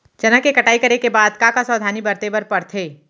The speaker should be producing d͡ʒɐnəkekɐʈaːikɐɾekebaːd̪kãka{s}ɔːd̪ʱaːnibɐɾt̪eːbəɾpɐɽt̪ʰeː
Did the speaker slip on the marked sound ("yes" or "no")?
no